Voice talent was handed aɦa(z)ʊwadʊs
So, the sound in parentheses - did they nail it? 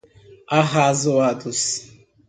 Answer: yes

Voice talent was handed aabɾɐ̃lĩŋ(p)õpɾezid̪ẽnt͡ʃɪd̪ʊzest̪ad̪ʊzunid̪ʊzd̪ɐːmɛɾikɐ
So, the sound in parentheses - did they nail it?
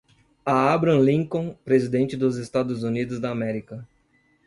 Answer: no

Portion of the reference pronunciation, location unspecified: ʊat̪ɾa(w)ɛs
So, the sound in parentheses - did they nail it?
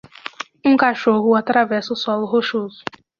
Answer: no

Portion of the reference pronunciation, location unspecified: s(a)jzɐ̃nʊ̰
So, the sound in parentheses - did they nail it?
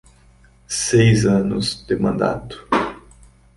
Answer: no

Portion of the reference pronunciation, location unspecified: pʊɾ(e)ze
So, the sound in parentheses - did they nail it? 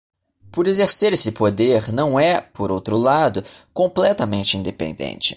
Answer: yes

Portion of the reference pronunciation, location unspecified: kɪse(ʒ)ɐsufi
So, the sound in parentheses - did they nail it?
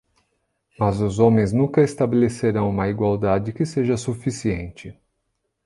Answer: yes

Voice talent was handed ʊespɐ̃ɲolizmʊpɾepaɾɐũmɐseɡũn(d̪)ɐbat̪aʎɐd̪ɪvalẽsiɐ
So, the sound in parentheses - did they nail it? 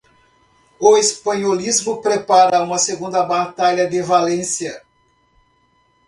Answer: yes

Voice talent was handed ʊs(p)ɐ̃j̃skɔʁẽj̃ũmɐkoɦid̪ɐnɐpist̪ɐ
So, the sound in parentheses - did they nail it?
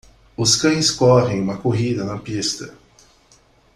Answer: no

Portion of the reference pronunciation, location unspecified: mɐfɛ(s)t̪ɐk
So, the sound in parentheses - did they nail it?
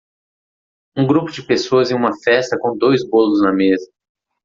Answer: yes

